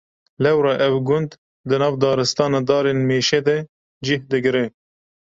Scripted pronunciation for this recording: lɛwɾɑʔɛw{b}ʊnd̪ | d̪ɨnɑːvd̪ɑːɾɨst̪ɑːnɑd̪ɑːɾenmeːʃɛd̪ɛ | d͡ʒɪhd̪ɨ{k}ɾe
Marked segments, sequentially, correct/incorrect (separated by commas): incorrect, incorrect